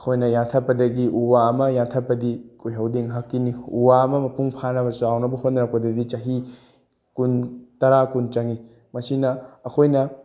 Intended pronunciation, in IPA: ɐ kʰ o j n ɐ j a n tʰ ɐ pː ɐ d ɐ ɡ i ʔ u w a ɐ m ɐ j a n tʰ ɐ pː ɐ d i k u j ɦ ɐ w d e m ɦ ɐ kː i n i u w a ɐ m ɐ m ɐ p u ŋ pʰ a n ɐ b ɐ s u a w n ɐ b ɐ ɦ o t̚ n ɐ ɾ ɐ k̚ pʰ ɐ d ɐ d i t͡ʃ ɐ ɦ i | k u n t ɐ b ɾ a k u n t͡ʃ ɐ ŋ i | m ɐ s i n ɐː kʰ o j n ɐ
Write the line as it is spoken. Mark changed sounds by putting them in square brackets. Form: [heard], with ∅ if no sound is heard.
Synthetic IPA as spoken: ɐ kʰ o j n ɐ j a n tʰ ɐ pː ɐ d ɐ ɡ i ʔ u w a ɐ m ɐ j a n tʰ ɐ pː ɐ d i k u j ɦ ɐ w d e [ŋ] ɦ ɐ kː i n i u w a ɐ m ɐ m ɐ p u ŋ pʰ a n ɐ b ɐ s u a w n ɐ b ɐ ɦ o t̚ n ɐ ɾ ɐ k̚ [p] ɐ d ɐ d i t͡ʃ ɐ ɦ i | k u n t ɐ [∅] ɾ a k u n t͡ʃ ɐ ŋ i | m ɐ s i n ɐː kʰ o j n ɐ

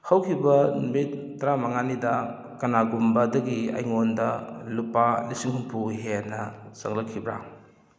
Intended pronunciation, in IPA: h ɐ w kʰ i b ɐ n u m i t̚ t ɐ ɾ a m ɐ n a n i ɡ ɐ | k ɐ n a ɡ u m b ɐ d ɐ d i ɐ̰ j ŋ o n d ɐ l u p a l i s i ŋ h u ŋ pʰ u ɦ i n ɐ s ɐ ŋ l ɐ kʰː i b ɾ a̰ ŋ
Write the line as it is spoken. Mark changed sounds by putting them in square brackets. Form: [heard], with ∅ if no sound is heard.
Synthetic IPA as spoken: h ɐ w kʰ i b ɐ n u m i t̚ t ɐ ɾ a m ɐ [ŋ] a n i [d] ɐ | k ɐ n a ɡ u m b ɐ d ɐ [ɡ] i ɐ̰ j ŋ o n d ɐ l u p a l i s i ŋ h u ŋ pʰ u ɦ [e] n ɐ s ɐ ŋ l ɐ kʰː i b ɾ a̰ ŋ

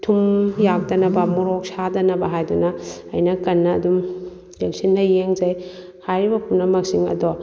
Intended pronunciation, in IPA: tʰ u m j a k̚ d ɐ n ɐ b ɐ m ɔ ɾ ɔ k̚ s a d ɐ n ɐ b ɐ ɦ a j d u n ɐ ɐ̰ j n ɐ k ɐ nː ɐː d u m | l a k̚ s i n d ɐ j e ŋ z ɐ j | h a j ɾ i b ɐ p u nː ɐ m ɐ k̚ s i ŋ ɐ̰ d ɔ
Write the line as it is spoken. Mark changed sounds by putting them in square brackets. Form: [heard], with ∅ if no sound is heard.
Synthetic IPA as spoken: tʰ u m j a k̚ d ɐ n ɐ b ɐ m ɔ ɾ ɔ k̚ s a d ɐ n ɐ b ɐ ɦ a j d u n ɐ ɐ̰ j n ɐ k ɐ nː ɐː d u m | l [e] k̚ s i n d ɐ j e ŋ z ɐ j | h a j ɾ i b ɐ p u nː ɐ m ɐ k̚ s i ŋ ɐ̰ d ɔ

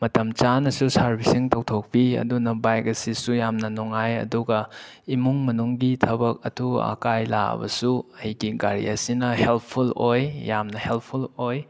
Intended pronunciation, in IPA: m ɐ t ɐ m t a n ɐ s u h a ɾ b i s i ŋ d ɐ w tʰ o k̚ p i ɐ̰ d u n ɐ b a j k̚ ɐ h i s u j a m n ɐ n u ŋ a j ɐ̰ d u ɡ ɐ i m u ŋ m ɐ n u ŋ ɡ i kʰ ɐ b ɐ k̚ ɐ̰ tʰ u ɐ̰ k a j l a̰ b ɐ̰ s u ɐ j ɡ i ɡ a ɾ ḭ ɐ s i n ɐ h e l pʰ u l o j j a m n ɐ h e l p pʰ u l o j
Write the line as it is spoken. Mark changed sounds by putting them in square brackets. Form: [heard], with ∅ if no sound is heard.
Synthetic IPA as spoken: m ɐ t ɐ m [t͡ʃ] a n ɐ s u [s] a ɾ b i s i ŋ [t] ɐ w tʰ o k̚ p i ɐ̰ d u n ɐ b a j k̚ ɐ [s] i s u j a m n ɐ n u ŋ a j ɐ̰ d u ɡ ɐ i m u ŋ m ɐ n u ŋ ɡ i [tʰ] ɐ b ɐ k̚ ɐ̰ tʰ u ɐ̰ k a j l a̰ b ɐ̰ s u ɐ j ɡ i ɡ a ɾ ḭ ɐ s i n ɐ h e l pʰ u l o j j a m n ɐ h e l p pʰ u l o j

